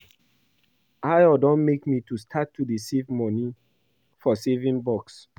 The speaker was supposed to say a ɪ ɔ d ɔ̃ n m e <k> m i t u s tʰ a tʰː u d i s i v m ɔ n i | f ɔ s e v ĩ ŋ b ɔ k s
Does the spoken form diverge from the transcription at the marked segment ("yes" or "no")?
no